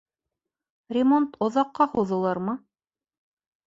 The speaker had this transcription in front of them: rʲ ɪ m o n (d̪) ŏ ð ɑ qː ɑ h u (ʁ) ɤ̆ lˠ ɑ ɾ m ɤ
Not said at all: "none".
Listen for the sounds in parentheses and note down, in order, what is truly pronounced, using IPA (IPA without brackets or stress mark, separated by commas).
t̪, ð